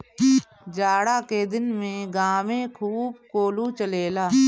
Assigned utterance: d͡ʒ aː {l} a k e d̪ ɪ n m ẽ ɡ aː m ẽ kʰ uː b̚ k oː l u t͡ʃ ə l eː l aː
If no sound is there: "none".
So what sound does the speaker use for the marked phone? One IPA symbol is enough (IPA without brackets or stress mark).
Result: ɽ